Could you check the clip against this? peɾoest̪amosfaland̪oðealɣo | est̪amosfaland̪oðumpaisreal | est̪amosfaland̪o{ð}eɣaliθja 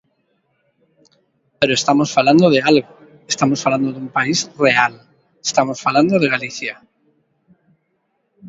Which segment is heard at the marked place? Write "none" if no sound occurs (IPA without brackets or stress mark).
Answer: ð